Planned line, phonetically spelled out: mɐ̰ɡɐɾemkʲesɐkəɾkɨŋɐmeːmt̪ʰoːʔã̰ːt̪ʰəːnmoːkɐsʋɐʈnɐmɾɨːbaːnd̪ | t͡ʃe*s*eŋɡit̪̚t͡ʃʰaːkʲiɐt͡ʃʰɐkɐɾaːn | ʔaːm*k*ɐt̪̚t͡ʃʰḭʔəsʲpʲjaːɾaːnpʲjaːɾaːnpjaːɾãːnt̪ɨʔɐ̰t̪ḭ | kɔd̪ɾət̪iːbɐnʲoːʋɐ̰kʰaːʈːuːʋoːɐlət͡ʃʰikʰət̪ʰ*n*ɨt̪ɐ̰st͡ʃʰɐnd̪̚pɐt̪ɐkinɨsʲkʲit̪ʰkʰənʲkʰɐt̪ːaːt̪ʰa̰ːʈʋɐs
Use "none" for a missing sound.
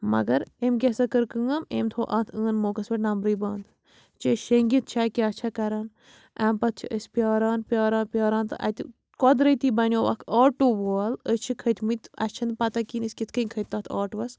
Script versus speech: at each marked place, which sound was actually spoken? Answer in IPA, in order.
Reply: ʃ, p, m

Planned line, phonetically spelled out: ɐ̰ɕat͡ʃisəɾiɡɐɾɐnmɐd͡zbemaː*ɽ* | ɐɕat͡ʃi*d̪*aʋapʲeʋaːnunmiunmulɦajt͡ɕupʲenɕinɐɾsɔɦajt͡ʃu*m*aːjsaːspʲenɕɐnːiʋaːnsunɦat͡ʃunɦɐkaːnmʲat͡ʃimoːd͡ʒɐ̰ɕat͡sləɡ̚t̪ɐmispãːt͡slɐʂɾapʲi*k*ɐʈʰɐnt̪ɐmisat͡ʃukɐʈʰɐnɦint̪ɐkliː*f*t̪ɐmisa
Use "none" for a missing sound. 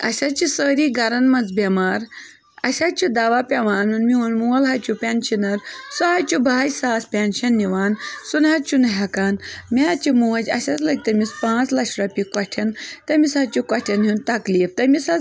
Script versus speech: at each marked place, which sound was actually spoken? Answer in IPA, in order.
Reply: ɾ, d̪, b, k, f

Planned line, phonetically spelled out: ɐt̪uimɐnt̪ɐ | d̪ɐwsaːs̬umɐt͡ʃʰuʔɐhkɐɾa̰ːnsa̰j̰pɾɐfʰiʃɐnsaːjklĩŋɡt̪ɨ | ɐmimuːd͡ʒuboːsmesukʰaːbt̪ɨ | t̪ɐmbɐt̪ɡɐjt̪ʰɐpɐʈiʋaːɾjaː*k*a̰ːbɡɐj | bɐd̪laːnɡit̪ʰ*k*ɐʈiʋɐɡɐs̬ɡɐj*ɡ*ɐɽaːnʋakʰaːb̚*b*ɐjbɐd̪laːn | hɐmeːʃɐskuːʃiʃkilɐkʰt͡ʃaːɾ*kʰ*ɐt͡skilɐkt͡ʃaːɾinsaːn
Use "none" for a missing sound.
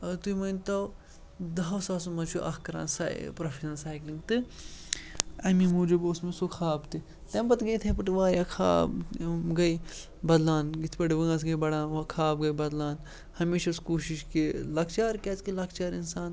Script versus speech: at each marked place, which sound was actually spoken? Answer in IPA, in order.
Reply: kʰ, p, b, ɡ, k

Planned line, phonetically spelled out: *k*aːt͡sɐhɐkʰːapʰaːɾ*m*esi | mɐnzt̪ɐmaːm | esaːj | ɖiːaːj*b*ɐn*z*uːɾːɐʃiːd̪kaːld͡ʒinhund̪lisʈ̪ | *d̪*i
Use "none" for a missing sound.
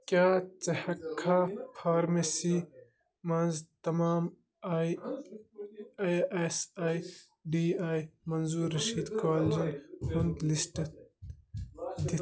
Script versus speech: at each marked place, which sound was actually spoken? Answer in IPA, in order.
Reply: k, m, m, z, d̪

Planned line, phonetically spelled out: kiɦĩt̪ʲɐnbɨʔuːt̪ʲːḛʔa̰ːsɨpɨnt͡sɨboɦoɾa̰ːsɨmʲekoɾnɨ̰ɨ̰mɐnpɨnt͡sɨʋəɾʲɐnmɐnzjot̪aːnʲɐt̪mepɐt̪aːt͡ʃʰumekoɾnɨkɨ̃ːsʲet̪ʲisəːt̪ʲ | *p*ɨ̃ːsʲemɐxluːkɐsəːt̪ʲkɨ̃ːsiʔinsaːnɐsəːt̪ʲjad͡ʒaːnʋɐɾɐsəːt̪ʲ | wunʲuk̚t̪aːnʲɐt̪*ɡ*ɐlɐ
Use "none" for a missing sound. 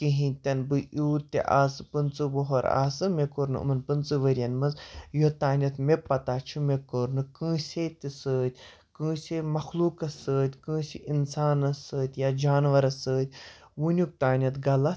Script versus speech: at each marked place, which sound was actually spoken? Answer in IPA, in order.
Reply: k, ɡ

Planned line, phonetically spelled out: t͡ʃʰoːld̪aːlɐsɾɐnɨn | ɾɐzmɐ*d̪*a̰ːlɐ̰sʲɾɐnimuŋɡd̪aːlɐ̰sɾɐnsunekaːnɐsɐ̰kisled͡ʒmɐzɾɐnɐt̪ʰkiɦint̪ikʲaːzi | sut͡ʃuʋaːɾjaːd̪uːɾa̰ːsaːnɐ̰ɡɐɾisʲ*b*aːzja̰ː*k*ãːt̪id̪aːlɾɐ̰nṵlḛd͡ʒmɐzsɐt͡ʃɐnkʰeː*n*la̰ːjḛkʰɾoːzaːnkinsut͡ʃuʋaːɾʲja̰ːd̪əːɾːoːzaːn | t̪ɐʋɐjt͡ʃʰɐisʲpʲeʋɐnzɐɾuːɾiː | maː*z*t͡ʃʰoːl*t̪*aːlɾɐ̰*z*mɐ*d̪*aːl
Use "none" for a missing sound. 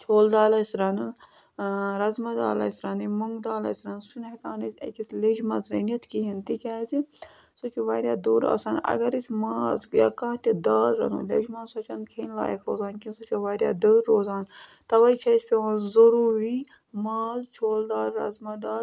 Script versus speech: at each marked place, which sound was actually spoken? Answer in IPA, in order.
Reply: d̪, m, k, n, z, d̪, z, d̪

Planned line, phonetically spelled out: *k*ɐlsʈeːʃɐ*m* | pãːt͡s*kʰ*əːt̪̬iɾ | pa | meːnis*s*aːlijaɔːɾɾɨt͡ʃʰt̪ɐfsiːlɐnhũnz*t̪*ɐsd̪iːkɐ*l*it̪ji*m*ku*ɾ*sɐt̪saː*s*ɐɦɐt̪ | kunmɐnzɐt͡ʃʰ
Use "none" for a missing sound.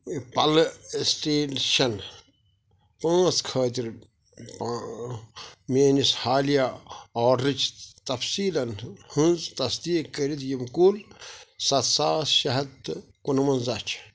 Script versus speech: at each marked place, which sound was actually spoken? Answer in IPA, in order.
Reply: p, n, kʰ, h, t̪, ɾ, m, l, ʃ

